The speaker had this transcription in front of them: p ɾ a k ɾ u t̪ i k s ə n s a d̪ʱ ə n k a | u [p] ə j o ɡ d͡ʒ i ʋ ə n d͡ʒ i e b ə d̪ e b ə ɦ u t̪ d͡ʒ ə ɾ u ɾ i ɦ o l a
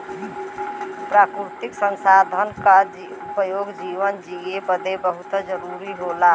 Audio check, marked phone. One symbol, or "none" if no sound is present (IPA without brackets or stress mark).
p